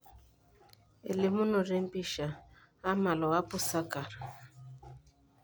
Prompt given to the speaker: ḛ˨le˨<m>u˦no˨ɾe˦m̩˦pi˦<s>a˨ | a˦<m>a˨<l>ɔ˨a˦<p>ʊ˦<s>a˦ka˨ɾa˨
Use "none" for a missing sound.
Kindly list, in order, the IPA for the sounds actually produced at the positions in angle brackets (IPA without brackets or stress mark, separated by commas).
m, ʃ, m, l, p, s